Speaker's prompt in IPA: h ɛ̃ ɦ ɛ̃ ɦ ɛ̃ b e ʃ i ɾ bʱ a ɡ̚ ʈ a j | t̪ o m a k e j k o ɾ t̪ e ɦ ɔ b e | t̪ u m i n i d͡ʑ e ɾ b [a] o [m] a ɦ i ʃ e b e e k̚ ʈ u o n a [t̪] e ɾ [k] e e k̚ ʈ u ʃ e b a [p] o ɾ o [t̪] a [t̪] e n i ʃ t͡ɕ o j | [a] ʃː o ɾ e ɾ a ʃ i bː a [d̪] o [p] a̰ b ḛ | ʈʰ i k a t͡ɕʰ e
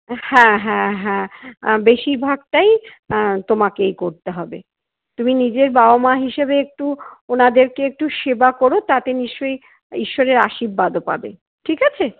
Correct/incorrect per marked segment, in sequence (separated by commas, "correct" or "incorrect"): correct, correct, incorrect, correct, incorrect, correct, correct, incorrect, correct, correct